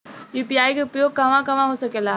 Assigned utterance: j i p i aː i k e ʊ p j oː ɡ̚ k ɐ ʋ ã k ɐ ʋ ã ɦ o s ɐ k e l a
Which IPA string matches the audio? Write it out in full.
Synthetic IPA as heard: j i p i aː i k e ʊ p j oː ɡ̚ k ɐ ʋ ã k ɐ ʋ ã ɦ o s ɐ k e l a